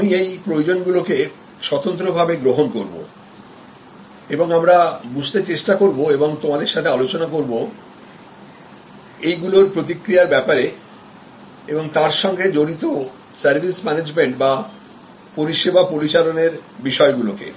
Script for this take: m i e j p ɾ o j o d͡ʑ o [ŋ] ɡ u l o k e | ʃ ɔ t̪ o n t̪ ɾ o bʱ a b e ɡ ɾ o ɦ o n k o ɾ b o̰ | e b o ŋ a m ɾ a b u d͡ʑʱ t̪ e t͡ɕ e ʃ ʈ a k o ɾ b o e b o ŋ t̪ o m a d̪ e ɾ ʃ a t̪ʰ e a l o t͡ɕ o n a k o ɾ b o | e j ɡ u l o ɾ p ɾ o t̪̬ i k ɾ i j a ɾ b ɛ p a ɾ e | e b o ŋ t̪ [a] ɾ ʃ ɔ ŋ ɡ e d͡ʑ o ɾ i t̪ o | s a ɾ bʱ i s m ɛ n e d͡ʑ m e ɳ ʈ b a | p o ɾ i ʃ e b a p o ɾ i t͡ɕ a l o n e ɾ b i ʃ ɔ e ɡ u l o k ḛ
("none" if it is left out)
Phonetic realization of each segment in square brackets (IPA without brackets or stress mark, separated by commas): n, a